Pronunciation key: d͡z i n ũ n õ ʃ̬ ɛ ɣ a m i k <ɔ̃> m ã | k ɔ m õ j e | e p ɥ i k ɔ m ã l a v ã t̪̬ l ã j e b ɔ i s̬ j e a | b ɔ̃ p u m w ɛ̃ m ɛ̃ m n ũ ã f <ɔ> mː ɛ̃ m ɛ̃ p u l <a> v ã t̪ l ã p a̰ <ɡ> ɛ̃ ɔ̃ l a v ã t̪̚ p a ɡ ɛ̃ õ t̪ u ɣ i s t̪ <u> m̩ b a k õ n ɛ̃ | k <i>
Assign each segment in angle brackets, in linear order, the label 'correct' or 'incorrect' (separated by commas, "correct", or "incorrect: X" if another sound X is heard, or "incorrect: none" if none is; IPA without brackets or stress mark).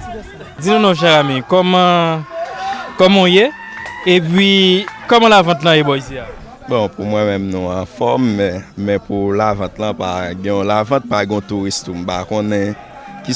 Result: incorrect: ɔ, correct, correct, correct, correct, correct